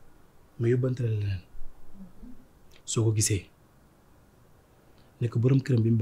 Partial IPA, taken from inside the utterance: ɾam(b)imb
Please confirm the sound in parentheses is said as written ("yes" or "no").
yes